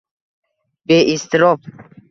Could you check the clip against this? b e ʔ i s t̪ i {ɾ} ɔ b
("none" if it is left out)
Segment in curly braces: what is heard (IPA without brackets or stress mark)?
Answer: ɾ